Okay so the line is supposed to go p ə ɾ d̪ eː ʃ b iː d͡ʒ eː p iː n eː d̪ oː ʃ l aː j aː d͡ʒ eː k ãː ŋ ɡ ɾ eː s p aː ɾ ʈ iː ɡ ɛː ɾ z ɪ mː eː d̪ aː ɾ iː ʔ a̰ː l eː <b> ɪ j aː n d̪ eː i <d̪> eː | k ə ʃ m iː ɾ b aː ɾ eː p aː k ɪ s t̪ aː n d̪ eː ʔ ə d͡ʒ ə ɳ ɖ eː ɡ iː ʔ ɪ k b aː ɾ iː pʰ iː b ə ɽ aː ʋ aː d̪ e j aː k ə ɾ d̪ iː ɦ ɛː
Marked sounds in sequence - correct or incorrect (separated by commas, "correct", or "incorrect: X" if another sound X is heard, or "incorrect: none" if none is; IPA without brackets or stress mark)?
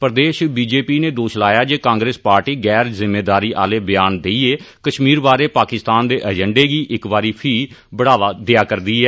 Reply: correct, incorrect: none